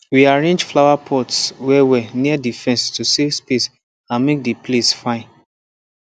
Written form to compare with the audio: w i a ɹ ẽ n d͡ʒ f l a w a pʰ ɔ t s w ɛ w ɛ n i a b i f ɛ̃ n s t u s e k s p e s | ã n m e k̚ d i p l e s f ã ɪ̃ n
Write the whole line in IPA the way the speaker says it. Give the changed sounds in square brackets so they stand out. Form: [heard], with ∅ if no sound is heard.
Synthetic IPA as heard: w i a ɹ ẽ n d͡ʒ f l a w a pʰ ɔ t s w ɛ w ɛ n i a [d] i f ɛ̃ n s t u s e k s p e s | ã n m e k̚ d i p l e s f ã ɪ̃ n